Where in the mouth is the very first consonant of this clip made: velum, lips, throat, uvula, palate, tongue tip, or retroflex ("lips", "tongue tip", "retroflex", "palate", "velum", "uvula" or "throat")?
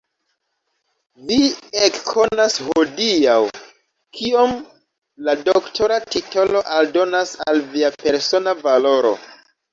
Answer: lips